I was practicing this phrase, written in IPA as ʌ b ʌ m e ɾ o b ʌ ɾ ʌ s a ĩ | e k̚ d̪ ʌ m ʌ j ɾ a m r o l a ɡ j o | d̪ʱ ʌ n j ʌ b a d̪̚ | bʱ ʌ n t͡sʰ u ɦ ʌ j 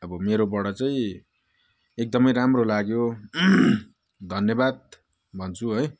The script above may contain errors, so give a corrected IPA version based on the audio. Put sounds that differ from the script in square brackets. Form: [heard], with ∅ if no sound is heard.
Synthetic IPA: ʌ b ʌ m e ɾ o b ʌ [ɽ] ʌ [t͡s] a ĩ | e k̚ d̪ ʌ m ʌ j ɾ a m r o l a ɡ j o | d̪ʱ ʌ n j ʌ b a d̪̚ | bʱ ʌ n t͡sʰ u ɦ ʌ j